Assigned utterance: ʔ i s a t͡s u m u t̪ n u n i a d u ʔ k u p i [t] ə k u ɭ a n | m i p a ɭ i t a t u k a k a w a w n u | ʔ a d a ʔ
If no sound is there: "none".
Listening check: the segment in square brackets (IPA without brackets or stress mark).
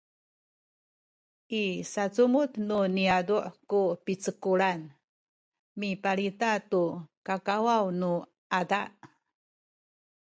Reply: t͡s